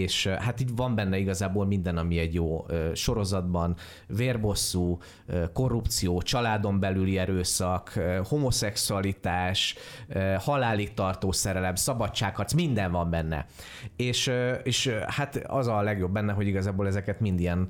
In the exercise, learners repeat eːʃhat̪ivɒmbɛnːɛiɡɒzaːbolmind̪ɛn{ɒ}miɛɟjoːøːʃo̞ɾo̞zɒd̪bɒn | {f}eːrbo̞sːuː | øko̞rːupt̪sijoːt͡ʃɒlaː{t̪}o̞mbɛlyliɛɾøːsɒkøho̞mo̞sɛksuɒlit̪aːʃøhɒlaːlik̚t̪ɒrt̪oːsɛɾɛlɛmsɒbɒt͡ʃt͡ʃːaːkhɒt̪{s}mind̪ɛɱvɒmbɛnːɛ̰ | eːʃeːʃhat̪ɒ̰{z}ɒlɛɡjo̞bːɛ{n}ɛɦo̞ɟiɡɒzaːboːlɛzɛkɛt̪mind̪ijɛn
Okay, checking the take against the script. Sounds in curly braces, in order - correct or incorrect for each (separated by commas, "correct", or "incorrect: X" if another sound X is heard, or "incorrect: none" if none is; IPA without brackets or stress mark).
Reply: correct, incorrect: v, incorrect: d̪, correct, correct, incorrect: nː